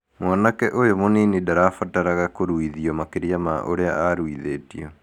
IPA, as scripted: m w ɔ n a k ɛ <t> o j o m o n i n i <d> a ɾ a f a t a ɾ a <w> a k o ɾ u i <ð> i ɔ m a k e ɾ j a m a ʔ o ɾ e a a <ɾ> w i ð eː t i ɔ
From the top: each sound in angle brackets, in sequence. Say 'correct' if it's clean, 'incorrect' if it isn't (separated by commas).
incorrect, correct, incorrect, correct, correct